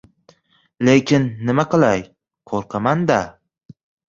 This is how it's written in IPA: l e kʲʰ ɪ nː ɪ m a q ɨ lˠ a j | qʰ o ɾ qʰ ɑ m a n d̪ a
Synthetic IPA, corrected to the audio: l e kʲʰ ɪ nː ɪ m a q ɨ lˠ a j | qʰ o ɾ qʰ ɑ m a n d̪ a